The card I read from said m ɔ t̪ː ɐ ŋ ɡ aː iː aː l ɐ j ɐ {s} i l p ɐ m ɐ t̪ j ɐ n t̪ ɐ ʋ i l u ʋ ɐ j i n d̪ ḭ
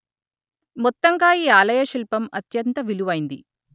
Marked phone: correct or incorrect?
incorrect